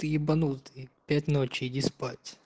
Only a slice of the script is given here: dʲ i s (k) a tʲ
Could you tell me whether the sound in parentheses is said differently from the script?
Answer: yes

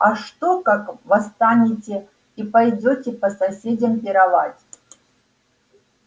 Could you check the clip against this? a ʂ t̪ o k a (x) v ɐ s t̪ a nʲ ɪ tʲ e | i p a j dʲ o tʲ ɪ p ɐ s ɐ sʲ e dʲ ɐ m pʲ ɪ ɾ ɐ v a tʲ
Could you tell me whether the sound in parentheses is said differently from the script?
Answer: yes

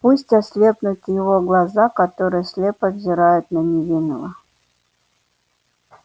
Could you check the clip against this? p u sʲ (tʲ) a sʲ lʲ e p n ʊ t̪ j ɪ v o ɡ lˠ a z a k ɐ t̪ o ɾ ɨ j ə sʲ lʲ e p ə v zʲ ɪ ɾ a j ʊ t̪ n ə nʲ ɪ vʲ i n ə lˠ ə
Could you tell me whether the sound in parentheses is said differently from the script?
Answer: no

